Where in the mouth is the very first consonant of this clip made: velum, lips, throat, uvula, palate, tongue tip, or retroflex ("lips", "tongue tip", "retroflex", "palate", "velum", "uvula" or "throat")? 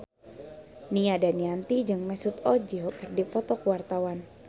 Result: tongue tip